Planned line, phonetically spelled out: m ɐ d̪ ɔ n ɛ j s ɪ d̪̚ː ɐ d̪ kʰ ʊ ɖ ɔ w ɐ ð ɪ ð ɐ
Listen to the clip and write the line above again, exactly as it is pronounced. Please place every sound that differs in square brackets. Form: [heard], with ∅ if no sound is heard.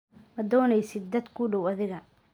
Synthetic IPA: m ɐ d̪ [ɔː] n ɛ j s ɪ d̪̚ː ɐ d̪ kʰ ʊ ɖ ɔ w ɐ ð ɪ [ɣ] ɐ